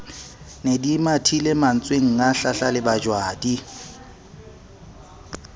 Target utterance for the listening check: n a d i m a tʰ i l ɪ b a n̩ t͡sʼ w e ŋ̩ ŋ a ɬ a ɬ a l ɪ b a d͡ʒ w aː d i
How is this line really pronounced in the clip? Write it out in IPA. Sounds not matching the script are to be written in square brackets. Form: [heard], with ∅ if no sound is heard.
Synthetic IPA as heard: n [e] d i m a tʰ i l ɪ [m] a n̩ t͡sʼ w e ŋ̩ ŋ a ɬ a ɬ a l ɪ b a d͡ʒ w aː d i